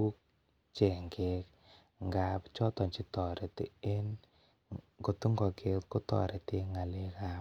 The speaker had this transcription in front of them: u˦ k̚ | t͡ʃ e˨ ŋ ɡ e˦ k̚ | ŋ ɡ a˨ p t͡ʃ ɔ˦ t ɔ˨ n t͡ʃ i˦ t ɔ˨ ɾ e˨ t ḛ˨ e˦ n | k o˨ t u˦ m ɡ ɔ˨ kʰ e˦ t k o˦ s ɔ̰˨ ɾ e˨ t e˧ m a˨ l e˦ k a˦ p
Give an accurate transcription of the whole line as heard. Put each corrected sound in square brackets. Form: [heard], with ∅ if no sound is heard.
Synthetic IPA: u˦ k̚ | t͡ʃ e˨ ŋ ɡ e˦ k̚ | ŋ ɡ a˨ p t͡ʃ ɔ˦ t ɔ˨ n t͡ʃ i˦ t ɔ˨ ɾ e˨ t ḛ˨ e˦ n | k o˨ t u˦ [ŋ] ɡ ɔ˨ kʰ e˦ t k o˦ [t] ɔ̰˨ ɾ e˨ t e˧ [ŋ] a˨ l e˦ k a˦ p